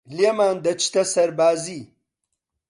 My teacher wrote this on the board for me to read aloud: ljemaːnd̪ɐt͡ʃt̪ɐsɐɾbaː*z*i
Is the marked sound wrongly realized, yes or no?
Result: no